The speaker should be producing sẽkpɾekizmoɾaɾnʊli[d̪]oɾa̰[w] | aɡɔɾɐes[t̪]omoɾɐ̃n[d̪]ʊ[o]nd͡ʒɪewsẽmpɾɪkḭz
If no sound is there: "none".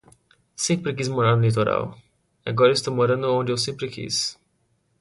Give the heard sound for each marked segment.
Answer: t̪, w, t̪, d̪, õ

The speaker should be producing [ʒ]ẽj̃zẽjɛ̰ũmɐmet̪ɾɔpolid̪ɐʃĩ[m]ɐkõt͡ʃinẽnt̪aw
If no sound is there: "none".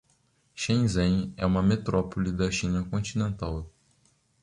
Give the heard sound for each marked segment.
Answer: ʃ, n

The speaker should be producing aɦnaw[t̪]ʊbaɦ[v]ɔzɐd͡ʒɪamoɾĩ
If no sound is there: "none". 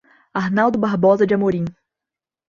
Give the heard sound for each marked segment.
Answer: d̪, b

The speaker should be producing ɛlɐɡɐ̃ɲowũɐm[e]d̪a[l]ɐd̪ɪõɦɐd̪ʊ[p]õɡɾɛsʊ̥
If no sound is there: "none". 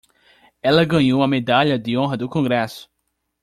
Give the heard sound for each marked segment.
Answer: e, ʎ, k

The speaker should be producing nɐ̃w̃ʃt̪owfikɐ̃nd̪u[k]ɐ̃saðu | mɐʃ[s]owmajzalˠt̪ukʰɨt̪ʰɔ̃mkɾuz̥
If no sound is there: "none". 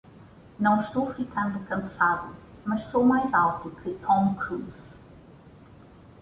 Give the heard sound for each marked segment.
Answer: k, s

